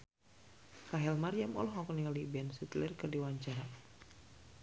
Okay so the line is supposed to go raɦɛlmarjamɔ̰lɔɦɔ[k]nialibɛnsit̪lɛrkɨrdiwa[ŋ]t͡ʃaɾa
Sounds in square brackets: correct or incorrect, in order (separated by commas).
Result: correct, incorrect